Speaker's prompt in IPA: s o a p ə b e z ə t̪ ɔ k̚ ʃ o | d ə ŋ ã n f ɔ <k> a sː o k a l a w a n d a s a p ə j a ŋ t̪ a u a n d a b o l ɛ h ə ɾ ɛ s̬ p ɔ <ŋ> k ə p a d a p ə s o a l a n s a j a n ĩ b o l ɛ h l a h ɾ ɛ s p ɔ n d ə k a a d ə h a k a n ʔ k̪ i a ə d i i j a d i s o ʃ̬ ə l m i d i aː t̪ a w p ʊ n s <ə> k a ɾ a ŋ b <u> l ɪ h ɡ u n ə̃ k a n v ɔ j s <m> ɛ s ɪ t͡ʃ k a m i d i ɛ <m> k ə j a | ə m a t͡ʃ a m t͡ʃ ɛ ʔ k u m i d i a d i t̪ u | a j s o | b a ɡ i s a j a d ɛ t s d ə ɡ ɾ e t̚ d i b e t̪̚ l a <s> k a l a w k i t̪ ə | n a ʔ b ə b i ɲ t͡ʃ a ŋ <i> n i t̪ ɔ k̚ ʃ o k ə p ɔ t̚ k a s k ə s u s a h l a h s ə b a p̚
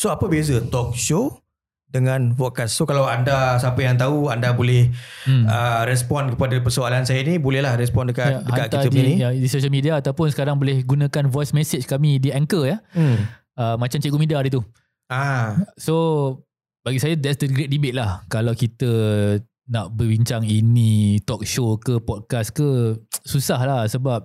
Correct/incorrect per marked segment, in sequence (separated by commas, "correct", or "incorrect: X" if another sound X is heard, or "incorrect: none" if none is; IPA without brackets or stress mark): correct, incorrect: n, correct, incorrect: o, correct, incorrect: ŋ, incorrect: h, correct